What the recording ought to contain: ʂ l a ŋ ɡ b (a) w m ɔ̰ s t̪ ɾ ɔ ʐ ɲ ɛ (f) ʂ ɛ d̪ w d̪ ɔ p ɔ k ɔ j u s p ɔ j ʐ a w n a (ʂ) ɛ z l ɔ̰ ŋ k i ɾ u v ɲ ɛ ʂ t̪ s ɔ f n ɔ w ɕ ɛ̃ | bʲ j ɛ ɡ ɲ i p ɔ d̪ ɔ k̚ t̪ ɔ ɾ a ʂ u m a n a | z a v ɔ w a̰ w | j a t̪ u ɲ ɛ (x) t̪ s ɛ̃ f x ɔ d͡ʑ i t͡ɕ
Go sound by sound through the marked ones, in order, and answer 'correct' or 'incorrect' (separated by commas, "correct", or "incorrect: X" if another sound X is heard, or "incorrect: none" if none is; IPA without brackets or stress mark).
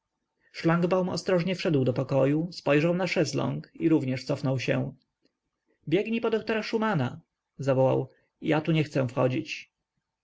correct, correct, correct, correct